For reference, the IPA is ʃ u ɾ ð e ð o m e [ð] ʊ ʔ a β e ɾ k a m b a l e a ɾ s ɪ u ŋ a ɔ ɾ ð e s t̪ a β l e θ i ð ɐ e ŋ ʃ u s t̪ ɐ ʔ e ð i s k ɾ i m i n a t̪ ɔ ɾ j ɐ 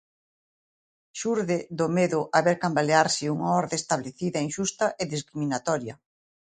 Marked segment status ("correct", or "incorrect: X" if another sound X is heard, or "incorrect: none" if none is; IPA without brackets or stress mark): correct